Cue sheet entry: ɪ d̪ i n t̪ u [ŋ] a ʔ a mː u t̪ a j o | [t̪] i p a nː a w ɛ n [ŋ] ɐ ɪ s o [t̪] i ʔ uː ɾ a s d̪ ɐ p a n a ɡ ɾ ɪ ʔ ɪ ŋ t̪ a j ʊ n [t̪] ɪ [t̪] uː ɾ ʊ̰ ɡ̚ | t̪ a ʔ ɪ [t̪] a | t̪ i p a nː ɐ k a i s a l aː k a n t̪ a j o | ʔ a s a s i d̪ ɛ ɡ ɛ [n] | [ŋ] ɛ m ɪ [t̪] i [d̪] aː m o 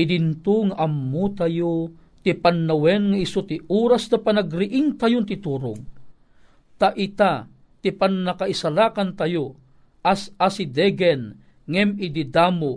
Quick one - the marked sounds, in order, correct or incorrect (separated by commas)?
correct, correct, correct, correct, correct, correct, correct, correct, correct, incorrect, correct